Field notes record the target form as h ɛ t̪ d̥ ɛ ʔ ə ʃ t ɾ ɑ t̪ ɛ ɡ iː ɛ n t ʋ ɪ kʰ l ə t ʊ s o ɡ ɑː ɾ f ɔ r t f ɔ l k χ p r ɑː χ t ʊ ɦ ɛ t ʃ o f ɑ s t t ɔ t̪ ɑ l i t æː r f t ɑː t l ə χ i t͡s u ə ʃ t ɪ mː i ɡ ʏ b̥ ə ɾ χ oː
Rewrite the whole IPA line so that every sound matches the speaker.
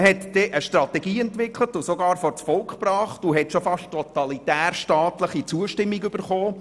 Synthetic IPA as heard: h ɛ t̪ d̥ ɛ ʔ ə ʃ t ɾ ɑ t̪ ɛ ɡ iː ɛ n t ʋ ɪ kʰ l ə t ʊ s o ɡ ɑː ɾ f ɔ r t͡s f ɔ l k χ p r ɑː χ t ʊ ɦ ɛ t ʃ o f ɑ ʃ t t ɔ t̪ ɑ l i t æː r ʃ t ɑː t l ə χ i t͡s u ə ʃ t ɪ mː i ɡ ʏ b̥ ə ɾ χ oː